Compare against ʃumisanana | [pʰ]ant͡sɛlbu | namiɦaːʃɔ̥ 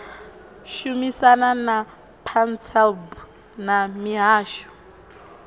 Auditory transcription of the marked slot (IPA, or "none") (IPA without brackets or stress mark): pʰ